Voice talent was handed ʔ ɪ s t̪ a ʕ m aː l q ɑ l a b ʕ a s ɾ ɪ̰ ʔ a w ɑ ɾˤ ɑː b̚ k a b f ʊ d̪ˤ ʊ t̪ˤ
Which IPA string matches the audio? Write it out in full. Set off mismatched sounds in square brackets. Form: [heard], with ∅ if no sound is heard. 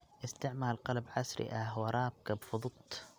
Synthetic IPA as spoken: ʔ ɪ s t̪ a ʕ m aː l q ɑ l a b ʕ a s ɾ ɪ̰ ʔ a w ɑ ɾˤ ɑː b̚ k a b f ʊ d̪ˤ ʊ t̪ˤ